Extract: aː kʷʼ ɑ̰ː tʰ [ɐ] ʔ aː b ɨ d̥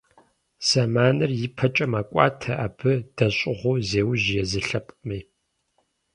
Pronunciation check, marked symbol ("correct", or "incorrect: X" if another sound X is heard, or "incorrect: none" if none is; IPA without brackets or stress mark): correct